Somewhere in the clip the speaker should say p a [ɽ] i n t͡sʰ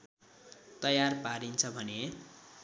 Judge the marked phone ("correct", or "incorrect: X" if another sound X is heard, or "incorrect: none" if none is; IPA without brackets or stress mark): incorrect: ɾ